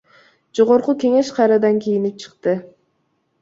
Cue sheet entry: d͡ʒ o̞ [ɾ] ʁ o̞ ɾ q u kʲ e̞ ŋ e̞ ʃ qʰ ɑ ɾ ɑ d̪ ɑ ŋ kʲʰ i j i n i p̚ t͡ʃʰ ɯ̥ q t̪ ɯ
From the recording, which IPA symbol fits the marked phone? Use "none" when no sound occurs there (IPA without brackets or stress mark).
none